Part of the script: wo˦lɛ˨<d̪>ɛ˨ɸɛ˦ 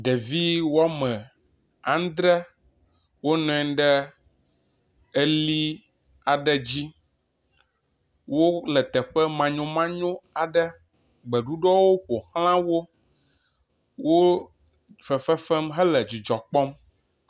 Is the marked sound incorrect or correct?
incorrect